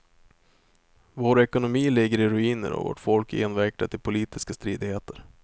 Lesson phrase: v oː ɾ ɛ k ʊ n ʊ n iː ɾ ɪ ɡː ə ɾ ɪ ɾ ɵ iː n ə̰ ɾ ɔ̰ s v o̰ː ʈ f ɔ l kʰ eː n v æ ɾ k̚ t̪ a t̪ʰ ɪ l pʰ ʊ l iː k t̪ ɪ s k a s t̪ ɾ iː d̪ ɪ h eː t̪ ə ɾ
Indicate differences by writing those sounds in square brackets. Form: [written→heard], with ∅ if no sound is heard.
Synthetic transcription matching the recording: v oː ɾ ɛ k ʊ n ʊ [n→m] iː [ɾ→l] ɪ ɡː ə ɾ ɪ ɾ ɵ iː n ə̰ ɾ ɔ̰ [s→∅] v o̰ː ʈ f ɔ l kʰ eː n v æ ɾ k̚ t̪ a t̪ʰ ɪ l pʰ ʊ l iː [k→∅] t̪ ɪ s k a s t̪ ɾ iː d̪ ɪ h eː t̪ ə ɾ